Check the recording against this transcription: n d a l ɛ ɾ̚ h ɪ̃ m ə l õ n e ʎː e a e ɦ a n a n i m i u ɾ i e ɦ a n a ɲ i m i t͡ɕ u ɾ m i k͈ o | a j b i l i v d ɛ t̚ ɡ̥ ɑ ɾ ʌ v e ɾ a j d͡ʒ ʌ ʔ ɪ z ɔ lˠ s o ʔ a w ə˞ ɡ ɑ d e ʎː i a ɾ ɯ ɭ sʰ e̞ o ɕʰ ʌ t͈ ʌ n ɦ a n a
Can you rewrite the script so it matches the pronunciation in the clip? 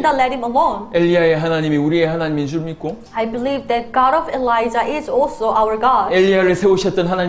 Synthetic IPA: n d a l ɛ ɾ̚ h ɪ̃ m ə l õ n e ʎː i a e ɦ a n a ɲ i m i u ɾ i e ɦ a n a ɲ i m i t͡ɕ u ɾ m i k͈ o | a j b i l i v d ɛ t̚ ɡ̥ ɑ ɾ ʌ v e l a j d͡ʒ a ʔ ɪ z ɔ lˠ s o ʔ a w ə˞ ɡ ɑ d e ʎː i a ɾ ɯ ɭ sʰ e̞ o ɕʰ ʌ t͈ ʌ n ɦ a n a